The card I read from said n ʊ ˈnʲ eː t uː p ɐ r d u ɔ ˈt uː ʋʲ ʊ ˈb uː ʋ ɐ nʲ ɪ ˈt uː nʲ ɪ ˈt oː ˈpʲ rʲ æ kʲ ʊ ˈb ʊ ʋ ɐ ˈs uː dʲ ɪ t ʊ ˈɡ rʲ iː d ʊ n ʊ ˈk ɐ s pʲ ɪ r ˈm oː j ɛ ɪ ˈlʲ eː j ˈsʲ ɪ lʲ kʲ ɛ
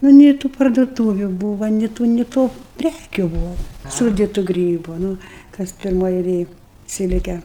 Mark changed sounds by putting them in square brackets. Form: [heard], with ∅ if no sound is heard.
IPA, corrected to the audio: n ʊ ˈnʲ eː t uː p ɐ r d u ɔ ˈt uː ʋʲ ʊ ˈb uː ʋ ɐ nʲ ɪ ˈt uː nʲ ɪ ˈt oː ˈpʲ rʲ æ kʲ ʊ ˈb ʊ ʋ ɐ ˈs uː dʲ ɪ t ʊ ˈɡ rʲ iː [b] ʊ n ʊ ˈk ɐ s pʲ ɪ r ˈm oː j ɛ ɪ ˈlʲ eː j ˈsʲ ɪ lʲ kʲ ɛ